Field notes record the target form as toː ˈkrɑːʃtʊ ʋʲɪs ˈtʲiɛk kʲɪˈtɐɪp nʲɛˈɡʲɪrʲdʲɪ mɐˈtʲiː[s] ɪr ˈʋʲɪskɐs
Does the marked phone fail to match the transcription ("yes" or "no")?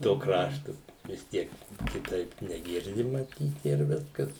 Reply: yes